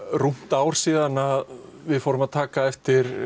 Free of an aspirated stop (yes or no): no